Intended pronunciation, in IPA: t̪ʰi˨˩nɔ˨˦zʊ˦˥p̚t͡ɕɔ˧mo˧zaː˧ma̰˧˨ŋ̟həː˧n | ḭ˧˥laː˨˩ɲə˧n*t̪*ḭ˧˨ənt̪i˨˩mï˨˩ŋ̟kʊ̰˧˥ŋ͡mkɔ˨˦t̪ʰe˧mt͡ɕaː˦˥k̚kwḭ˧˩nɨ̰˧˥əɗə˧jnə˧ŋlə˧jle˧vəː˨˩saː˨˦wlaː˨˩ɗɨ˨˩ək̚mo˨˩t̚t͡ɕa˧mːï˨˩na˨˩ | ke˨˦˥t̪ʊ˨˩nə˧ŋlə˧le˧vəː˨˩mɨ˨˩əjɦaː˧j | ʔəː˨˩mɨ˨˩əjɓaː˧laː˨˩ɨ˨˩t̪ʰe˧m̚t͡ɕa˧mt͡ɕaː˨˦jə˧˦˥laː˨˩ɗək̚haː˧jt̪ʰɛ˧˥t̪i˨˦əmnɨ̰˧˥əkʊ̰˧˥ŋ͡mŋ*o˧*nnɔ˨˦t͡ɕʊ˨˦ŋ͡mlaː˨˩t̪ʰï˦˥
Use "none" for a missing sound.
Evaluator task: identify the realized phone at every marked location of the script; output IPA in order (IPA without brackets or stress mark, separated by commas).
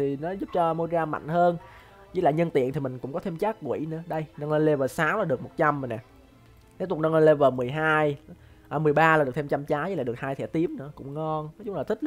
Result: t̪, ɔ˧